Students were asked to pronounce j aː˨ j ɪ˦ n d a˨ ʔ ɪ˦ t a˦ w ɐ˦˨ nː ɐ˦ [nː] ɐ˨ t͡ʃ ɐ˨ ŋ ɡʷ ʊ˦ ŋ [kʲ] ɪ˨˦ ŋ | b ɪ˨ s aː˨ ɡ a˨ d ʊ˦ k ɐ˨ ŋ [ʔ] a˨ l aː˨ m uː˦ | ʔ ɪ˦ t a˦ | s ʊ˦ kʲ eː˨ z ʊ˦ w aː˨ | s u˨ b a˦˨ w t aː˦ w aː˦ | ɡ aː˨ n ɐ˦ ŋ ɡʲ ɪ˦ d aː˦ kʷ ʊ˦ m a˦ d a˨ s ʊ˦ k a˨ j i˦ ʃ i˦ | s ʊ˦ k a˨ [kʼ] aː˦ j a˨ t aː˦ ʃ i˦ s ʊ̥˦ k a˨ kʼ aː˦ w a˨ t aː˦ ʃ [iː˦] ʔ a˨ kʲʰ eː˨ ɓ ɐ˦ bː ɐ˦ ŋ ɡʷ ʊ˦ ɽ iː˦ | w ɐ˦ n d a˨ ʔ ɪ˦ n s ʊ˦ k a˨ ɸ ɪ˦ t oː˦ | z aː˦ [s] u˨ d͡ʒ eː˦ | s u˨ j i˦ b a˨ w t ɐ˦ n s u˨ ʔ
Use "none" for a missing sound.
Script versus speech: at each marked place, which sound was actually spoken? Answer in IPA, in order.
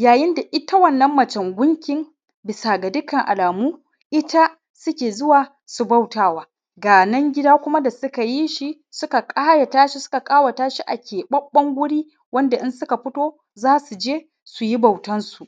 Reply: mː, kʲ, ʔ, kʼ, i˦, s

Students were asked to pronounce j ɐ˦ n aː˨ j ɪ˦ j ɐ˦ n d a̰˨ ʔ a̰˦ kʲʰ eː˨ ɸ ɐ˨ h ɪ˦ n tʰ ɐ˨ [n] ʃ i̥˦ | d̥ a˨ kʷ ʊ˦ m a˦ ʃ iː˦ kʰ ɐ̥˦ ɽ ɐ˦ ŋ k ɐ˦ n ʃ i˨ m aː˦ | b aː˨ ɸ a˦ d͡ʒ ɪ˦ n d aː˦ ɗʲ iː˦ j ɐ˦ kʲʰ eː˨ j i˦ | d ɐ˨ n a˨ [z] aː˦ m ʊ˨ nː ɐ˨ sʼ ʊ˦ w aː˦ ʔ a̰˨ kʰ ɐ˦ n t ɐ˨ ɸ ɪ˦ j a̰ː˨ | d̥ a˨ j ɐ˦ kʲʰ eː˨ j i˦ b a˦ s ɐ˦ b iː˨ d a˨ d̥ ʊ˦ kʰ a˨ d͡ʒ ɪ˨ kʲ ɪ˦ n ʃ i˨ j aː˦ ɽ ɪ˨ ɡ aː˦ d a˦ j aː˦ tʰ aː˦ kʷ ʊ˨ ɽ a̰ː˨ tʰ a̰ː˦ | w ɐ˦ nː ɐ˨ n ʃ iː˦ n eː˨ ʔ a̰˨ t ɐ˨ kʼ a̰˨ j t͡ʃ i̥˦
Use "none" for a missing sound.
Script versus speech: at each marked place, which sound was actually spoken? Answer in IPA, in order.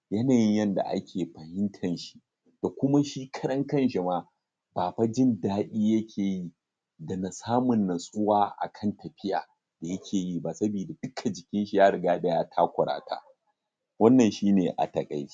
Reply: n, s

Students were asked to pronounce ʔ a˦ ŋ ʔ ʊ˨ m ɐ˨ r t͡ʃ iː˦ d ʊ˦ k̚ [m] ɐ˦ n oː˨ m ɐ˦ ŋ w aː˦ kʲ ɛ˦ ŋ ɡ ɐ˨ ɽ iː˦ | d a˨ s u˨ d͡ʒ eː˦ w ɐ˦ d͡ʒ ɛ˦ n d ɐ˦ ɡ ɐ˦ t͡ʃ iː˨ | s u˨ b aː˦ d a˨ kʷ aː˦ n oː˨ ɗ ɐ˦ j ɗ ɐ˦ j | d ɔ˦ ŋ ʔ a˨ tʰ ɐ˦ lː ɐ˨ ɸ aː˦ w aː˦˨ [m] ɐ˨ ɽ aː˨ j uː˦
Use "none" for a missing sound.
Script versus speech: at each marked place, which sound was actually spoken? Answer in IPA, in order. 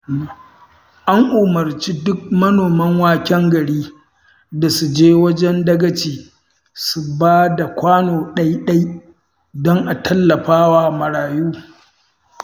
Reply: m, m

